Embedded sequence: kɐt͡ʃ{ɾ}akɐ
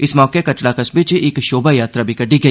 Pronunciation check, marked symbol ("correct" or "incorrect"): incorrect